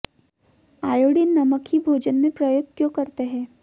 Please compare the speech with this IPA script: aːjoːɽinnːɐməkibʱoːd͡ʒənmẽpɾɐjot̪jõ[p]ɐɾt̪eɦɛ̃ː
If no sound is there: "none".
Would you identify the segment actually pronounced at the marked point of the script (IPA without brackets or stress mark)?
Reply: k